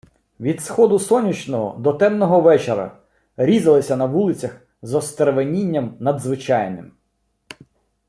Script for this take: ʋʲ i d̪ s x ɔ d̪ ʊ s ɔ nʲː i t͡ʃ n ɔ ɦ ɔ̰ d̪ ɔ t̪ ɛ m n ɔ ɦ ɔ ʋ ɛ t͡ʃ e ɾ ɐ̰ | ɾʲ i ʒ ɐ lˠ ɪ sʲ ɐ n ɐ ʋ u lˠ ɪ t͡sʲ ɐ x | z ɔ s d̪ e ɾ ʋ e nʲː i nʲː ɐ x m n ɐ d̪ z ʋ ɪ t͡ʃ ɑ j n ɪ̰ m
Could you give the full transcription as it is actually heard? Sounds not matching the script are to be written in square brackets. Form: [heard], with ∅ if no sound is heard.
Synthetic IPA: ʋʲ i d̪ s x ɔ d̪ ʊ s ɔ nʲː i t͡ʃ n ɔ ɦ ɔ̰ d̪ ɔ t̪ ɛ m n ɔ ɦ ɔ ʋ ɛ t͡ʃ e ɾ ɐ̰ | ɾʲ i [z] ɐ lˠ ɪ sʲ ɐ n ɐ ʋ u lˠ ɪ t͡sʲ ɐ x | z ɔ s [t̪] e ɾ ʋ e [nʲ] i nʲː ɐ [∅] m n ɐ d̪ z ʋ ɪ t͡ʃ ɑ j n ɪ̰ m

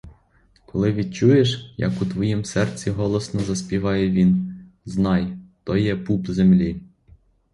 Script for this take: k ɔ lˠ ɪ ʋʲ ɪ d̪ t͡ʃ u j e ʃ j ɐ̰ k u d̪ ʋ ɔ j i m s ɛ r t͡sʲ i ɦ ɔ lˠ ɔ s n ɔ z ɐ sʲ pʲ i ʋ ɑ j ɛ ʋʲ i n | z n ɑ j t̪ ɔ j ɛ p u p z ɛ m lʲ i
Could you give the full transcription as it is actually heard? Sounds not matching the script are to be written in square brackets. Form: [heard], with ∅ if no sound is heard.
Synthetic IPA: k ɔ lˠ ɪ ʋʲ [i] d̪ t͡ʃ u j e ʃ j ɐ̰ k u [t̪] ʋ ɔ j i m s ɛ r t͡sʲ i ɦ ɔ lˠ ɔ s n ɔ z ɐ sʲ pʲ i ʋ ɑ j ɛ ʋʲ i n | z n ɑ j t̪ ɔ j ɛ p u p z [e] m lʲ i

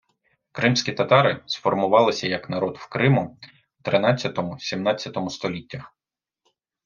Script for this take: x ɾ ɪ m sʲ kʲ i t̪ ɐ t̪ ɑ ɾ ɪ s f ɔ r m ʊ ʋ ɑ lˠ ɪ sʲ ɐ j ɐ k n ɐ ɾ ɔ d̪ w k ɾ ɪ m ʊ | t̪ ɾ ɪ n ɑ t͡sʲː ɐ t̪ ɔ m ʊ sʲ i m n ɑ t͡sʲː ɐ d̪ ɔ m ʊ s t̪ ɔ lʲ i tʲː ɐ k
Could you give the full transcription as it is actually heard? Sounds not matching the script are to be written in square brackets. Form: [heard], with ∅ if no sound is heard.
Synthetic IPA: [k] ɾ ɪ m sʲ kʲ i t̪ ɐ t̪ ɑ ɾ ɪ s f ɔ r m ʊ ʋ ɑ lˠ ɪ sʲ ɐ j ɐ k n ɐ ɾ ɔ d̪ w k ɾ ɪ m ʊ | t̪ ɾ ɪ n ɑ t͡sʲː ɐ t̪ ɔ m ʊ sʲ i m n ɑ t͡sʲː ɐ [t̪] ɔ m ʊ s t̪ ɔ lʲ i tʲː ɐ [x]

